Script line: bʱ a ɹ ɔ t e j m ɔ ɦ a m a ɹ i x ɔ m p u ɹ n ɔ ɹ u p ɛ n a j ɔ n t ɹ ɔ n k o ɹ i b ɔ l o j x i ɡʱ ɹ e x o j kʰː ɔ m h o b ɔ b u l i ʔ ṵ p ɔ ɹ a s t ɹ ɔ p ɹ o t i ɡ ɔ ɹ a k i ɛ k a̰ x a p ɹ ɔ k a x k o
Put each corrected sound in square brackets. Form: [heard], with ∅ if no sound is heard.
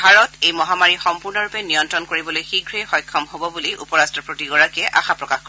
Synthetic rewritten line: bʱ a ɹ ɔ t e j m ɔ ɦ a m a ɹ i x ɔ m p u ɹ n ɔ ɹ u p ɛ n [i] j ɔ n t ɹ ɔ n k o ɹ i b ɔ l o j x i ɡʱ ɹ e x [ɔ] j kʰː ɔ m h o b ɔ b u l i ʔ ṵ p ɔ ɹ a s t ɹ ɔ p ɹ o t i ɡ ɔ ɹ a k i ɛ [ʔ] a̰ x a p ɹ ɔ k a x k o

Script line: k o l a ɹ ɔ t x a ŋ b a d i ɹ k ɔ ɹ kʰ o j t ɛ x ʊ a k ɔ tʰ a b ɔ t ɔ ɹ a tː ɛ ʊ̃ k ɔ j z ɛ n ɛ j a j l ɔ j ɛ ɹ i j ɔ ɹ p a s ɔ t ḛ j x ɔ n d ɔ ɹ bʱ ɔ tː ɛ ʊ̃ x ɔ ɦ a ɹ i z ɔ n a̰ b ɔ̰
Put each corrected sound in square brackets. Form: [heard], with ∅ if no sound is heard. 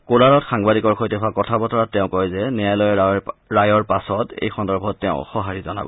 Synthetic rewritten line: k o l a ɹ ɔ t x a ŋ b a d i [∅] k ɔ ɹ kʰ o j t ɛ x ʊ a k ɔ tʰ a b ɔ t ɔ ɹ a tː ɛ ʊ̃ k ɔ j z ɛ n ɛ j a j l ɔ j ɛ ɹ [a] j ɔ ɹ p a s ɔ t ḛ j x ɔ n d ɔ ɹ bʱ ɔ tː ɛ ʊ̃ x ɔ ɦ a ɹ i z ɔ n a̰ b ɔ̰

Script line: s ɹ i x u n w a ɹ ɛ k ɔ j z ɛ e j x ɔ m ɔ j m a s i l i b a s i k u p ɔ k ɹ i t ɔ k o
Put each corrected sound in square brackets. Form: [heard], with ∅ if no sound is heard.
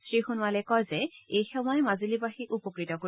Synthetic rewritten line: s ɹ i x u n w a [l] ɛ k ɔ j z ɛ e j x ɔ m ɔ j m a [z] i l i b a [x] i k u p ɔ k ɹ i t ɔ k o

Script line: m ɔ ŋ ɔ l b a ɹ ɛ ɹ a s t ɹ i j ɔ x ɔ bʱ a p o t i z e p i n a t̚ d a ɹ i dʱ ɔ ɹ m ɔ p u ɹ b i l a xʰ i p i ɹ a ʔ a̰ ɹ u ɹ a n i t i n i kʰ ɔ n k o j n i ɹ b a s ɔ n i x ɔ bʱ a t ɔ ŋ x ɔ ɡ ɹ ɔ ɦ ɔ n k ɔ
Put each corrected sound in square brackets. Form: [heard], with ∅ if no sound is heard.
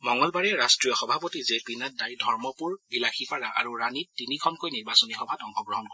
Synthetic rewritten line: m ɔ ŋ ɔ l b a ɹ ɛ ɹ a s t ɹ i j ɔ x ɔ bʱ a p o t i z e p i n a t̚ d a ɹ i dʱ ɔ ɹ m ɔ p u ɹ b i l a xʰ i p [a] ɹ a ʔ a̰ ɹ u ɹ a n i t i n i kʰ ɔ n k o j n i ɹ b a s ɔ n i x ɔ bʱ a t ɔ ŋ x ɔ ɡ ɹ ɔ ɦ ɔ n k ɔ

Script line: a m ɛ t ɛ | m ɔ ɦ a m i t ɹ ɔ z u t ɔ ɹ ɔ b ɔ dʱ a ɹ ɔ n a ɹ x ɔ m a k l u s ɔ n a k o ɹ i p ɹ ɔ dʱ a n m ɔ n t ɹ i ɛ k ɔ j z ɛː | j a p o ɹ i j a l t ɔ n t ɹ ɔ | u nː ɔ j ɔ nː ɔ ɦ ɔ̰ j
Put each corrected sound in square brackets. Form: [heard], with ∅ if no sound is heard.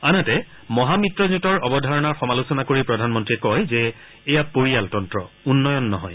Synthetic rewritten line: a [n] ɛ t ɛ | m ɔ ɦ a m i t ɹ ɔ z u t ɔ ɹ ɔ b ɔ dʱ a ɹ ɔ n a ɹ x ɔ m a [∅] l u s ɔ n a k o ɹ i p ɹ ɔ dʱ a n m ɔ n t ɹ i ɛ k ɔ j z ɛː | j a p o ɹ i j a l t ɔ n t ɹ ɔ | u nː ɔ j ɔ nː ɔ ɦ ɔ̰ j

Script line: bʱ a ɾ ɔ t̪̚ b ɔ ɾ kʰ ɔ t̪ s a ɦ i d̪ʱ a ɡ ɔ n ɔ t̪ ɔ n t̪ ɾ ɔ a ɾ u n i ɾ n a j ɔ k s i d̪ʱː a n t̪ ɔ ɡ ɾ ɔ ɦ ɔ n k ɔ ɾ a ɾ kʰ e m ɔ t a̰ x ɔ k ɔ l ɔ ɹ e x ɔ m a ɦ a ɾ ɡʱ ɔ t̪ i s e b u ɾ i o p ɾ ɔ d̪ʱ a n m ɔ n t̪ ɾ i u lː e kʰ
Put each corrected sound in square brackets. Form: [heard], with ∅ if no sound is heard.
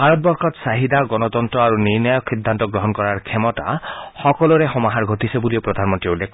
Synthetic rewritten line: bʱ a ɾ ɔ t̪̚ b ɔ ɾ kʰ ɔ t̪ s a ɦ i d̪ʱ a ɡ ɔ n ɔ t̪ ɔ n t̪ ɾ ɔ a ɾ u n i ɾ n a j ɔ k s i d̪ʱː a n t̪ ɔ ɡ ɾ ɔ ɦ ɔ n k ɔ ɾ a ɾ kʰ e m ɔ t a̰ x ɔ k ɔ l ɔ [ɾ] e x ɔ m a ɦ a ɾ ɡʱ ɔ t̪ i s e b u [l] i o p ɾ ɔ d̪ʱ a n m ɔ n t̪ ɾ i u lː e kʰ

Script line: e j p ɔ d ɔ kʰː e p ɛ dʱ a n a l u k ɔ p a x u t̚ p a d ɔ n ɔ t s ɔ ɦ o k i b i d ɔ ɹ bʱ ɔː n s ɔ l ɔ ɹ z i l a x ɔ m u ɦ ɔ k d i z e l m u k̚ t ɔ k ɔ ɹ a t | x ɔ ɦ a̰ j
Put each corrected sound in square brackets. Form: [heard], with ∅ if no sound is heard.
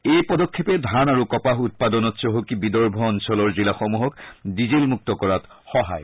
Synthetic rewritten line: e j p ɔ d ɔ kʰː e p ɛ dʱ a n a [ɹ] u k ɔ p a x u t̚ p a d ɔ n ɔ t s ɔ ɦ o k i b i d ɔ ɹ bʱ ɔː n s ɔ l ɔ ɹ z i l a x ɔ m u ɦ ɔ k d i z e l m u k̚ t ɔ k ɔ ɹ a t | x ɔ ɦ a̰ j

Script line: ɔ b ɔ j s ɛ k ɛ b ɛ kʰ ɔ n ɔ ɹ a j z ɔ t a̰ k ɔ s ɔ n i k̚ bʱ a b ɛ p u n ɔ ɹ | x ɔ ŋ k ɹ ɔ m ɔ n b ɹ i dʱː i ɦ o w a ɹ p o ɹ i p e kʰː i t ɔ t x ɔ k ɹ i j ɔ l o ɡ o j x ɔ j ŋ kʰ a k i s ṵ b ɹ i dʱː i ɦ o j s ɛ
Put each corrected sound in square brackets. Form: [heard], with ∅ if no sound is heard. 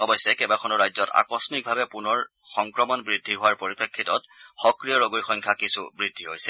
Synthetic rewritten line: ɔ b ɔ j s ɛ k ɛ b [a] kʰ ɔ n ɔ ɹ a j z ɔ t a̰ k ɔ s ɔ n i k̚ bʱ a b ɛ p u n ɔ ɹ | x ɔ ŋ k ɹ ɔ m ɔ n b ɹ i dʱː i ɦ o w a ɹ p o ɹ i p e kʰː i t ɔ t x ɔ k ɹ i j ɔ [ɹ] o ɡ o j x ɔ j ŋ kʰ a k i s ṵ b ɹ i dʱː i ɦ o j s ɛ

